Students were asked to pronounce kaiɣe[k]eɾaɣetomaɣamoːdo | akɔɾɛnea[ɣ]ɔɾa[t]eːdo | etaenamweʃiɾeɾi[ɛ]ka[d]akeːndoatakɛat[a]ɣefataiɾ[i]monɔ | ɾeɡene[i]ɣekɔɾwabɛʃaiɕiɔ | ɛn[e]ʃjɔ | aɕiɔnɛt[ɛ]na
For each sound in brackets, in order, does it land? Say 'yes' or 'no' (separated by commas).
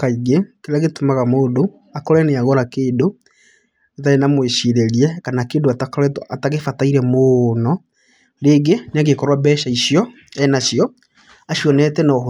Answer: yes, yes, no, yes, no, yes, no, no, no, yes